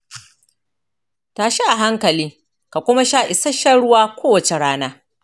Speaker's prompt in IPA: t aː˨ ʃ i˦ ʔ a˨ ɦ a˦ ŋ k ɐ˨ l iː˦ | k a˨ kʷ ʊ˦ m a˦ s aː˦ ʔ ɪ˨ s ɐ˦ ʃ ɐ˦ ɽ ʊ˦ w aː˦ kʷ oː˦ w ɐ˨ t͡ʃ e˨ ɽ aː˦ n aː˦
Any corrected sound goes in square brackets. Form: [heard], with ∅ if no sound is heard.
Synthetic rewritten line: t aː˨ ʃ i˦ ʔ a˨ ɦ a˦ ŋ k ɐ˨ l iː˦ | k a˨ kʷ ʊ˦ m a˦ [ʃ] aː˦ ʔ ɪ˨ s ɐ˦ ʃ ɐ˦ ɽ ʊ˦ w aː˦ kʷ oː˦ w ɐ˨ t͡ʃ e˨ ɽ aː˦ n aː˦